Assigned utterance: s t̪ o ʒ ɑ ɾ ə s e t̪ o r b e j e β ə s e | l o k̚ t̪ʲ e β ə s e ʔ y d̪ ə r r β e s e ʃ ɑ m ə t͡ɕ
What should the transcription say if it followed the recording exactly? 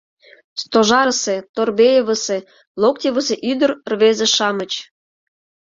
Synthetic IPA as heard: s t̪ o ʒ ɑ ɾ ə s e t̪ o r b e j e β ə s e | l o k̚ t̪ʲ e β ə s e ʔ y d̪ ə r r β e z e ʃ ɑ m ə t͡ɕ